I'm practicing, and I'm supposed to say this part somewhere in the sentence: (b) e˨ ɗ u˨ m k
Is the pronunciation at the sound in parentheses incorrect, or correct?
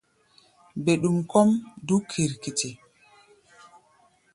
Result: correct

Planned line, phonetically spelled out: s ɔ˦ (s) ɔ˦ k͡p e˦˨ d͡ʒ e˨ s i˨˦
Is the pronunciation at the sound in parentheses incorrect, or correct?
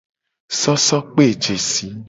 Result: correct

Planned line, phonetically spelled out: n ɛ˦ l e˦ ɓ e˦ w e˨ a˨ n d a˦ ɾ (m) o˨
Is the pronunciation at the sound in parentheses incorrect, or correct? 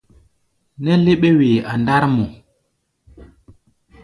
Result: correct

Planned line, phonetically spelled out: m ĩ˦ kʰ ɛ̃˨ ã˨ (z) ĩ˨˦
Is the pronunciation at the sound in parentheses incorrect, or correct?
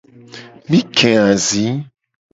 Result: correct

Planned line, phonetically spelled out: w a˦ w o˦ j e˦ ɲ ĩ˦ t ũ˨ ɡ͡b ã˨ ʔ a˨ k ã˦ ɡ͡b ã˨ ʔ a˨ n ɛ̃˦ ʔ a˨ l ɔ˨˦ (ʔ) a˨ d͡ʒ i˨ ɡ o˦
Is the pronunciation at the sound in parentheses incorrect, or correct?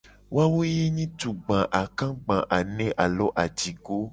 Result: correct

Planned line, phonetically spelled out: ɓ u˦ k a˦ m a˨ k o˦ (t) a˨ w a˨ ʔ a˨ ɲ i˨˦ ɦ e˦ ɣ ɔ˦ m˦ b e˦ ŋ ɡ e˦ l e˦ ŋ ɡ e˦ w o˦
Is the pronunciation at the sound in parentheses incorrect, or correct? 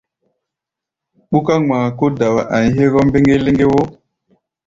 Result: incorrect: d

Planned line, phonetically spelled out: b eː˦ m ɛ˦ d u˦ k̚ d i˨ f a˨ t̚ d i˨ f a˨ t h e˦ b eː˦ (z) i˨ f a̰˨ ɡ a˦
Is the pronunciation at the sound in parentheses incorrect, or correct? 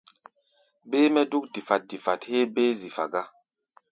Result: correct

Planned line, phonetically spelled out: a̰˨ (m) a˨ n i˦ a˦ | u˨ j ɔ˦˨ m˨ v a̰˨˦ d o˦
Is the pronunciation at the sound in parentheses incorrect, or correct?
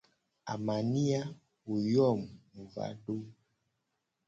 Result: correct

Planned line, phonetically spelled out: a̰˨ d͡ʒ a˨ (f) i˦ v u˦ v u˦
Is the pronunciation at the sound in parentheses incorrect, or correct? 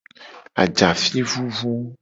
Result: correct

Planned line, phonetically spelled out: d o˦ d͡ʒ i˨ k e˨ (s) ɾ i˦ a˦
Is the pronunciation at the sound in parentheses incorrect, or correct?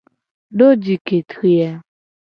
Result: incorrect: t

